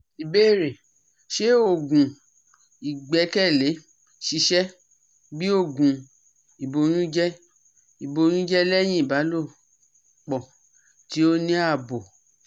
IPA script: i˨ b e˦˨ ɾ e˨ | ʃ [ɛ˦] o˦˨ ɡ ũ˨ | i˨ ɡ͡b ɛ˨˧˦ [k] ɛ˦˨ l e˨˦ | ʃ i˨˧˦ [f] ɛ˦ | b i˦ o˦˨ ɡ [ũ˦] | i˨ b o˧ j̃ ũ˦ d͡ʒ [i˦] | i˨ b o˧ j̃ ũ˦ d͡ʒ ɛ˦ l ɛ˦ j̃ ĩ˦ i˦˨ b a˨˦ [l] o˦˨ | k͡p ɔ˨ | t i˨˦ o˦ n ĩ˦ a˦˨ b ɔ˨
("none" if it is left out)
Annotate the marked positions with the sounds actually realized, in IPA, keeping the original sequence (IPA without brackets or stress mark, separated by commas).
e˦, k, ʃ, ũ˨, ɛ˦, l